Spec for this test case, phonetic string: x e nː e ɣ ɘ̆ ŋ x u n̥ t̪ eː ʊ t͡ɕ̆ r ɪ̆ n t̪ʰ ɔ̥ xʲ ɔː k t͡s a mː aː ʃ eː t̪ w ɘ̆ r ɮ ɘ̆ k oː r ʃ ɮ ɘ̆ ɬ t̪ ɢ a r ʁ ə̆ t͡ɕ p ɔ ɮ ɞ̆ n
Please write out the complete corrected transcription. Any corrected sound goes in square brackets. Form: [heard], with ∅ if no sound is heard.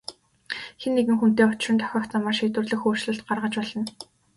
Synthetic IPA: x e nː e ɣ ɘ̆ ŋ x u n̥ t̪ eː ʊ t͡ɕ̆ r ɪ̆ n t̪ʰ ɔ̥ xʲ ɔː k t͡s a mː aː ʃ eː t̪ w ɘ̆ r ɮ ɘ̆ [x] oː r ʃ ɮ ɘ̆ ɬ t̪ ɢ a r ʁ ə̆ t͡ɕ p ɔ ɮ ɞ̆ n